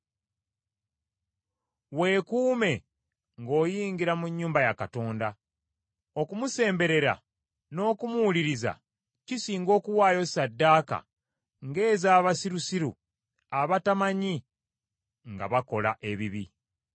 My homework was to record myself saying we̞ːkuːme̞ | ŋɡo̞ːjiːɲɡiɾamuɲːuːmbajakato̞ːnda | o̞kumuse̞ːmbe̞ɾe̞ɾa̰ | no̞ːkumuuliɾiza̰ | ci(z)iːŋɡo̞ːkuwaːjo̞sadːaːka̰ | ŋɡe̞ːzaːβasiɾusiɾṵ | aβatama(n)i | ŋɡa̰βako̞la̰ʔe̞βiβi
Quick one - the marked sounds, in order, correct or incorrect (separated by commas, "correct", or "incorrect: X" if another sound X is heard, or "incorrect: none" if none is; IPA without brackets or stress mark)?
incorrect: s, incorrect: ɲ